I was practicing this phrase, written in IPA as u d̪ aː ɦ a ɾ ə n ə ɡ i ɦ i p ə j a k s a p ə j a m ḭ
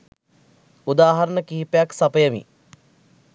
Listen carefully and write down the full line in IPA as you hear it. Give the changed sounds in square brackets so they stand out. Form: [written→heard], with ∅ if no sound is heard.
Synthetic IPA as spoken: u d̪ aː ɦ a ɾ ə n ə [ɡ→k] i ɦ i p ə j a k s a p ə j [a→ə] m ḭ